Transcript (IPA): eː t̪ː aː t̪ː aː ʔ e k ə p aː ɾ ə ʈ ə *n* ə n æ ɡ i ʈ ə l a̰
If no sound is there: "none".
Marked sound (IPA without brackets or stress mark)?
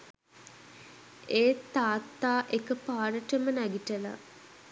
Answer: m